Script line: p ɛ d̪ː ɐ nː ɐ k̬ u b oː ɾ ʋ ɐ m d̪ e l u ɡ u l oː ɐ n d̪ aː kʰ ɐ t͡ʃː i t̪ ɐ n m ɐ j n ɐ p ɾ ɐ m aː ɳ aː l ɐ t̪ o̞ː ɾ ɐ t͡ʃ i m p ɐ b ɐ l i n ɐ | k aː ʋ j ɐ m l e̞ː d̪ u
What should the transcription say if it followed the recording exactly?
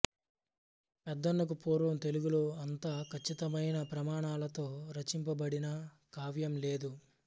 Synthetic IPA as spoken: p ɛ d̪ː ɐ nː ɐ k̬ u p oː ɾ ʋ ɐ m t̪ e l u ɡ u l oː ɐ n t̪ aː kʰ ɐ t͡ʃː i t̪ ɐ m ɐ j n ɐ p ɾ ɐ m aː ɳ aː l ɐ t̪ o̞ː ɾ ɐ t͡ʃ i m p ɐ b ɐ ɽ i n ɐ | k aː ʋ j ɐ m l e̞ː d̪ u